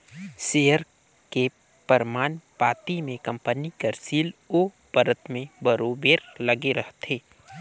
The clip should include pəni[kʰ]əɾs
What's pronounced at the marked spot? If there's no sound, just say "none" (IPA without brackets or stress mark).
k